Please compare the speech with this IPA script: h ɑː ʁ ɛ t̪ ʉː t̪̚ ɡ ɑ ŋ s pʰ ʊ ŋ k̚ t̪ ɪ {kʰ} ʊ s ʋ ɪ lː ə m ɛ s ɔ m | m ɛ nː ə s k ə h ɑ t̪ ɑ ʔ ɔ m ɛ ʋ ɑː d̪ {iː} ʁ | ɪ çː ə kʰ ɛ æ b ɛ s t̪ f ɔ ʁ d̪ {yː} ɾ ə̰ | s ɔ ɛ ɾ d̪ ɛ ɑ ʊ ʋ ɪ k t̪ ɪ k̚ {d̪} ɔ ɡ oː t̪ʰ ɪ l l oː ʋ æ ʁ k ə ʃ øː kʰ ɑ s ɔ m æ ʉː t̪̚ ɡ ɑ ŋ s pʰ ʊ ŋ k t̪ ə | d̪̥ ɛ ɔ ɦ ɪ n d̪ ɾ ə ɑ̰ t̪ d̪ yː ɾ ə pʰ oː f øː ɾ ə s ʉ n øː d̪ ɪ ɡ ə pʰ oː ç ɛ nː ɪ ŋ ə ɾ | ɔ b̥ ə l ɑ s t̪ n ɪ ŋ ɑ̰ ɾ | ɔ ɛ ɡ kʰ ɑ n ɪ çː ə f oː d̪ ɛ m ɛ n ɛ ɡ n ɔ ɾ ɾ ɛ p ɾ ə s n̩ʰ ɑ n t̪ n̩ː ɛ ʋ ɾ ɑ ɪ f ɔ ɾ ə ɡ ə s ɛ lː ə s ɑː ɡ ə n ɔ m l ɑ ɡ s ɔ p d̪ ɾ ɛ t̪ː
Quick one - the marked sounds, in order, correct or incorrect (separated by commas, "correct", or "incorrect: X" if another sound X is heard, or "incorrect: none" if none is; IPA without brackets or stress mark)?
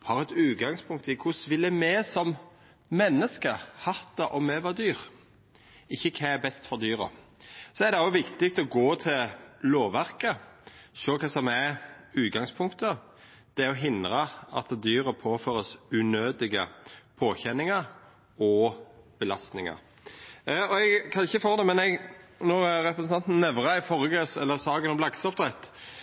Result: correct, incorrect: yː, correct, incorrect: t̪